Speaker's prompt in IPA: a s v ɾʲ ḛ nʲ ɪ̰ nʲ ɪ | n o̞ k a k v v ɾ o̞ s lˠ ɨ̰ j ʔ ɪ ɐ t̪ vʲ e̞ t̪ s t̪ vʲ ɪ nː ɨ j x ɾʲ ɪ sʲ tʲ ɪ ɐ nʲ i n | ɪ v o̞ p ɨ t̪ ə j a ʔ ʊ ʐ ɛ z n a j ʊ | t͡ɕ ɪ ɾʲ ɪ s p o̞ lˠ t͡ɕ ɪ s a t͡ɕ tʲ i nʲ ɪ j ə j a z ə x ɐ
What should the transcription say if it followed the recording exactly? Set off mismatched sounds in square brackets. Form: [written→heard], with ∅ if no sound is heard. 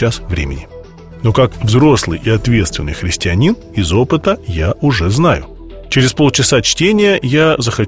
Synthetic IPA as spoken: a s v ɾʲ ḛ [nʲ→mʲ] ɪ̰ nʲ ɪ | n o̞ k a k v [v→z] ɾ o̞ s lˠ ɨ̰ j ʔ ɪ ɐ t̪ vʲ e̞ t̪ s t̪ vʲ ɪ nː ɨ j x ɾʲ ɪ sʲ tʲ ɪ ɐ nʲ i n | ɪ [v→z] o̞ p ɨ t̪ ə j a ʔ ʊ ʐ ɛ z n a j ʊ | t͡ɕ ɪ ɾʲ ɪ s p o̞ lˠ t͡ɕ ɪ s a t͡ɕ tʲ [i→e] nʲ ɪ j ə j a z ə x ɐ